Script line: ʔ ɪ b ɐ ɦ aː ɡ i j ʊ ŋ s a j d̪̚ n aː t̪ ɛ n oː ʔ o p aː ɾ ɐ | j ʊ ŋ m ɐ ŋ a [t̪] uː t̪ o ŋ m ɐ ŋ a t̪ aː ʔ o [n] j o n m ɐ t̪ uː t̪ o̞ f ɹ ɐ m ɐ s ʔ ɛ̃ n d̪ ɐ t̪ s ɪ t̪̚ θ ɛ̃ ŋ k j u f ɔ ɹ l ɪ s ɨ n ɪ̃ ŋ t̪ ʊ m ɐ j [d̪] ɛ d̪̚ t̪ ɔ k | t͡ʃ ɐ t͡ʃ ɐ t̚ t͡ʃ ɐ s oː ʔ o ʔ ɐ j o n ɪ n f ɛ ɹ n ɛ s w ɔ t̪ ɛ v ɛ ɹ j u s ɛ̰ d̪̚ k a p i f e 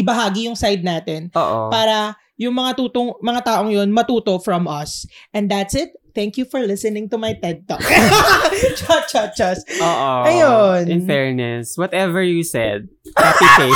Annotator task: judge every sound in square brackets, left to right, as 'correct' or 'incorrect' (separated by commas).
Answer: correct, incorrect, incorrect